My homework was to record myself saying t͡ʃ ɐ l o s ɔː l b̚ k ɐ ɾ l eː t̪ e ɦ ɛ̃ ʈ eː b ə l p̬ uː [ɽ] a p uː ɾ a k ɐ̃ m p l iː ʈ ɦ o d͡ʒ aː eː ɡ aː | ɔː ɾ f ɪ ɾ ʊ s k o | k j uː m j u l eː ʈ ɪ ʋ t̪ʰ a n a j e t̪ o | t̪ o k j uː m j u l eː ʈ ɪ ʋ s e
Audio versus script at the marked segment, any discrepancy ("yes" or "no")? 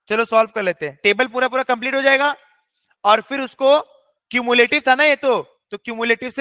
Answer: yes